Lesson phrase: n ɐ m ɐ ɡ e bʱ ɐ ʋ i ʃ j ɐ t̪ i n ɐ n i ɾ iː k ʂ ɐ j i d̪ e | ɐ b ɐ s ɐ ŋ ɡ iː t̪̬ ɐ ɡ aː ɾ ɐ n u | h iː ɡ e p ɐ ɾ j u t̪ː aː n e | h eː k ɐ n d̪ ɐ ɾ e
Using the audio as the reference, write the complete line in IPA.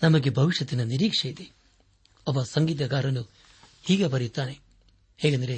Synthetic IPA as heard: n ɐ m ɐ ɡ e bʱ ɐ ʋ i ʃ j ɐ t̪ i n ɐ n i ɾ iː k ʂ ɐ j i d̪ e | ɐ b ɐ s ɐ ŋ ɡ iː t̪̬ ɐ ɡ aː ɾ ɐ n u | h iː ɡ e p ɐ ɾ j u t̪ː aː n e | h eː ɡ ɐ n d̪ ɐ ɾ e